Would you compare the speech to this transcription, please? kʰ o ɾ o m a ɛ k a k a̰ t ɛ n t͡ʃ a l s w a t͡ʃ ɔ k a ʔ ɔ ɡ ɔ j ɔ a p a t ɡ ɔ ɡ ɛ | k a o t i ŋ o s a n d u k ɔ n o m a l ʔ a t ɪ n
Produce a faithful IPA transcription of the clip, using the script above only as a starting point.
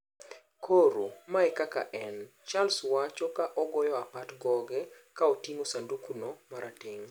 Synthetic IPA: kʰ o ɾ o m a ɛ k a k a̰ ʔ ɛ n t͡ʃ a l s w a t͡ʃ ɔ k a ʔ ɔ ɡ ɔ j ɔ a p a t ɡ ɔ ɡ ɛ | k a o t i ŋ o s a n d u k u n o m a ɾ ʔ a t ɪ ŋ